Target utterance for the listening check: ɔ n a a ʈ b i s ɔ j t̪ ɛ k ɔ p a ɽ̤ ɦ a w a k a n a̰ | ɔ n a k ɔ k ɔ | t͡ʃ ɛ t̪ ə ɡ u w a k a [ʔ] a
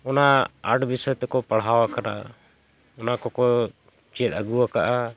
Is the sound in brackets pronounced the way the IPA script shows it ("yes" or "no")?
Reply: yes